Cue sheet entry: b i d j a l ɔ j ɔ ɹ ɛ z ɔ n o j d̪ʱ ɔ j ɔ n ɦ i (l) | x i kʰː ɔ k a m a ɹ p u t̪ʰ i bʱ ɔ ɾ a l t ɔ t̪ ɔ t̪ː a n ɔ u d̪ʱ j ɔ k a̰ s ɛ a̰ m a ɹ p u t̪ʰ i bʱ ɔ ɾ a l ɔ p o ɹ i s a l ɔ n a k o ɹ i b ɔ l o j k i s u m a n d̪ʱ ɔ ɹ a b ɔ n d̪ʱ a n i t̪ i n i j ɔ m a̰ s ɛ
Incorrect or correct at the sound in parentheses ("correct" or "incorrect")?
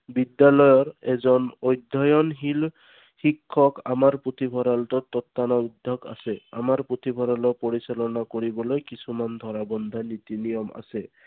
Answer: correct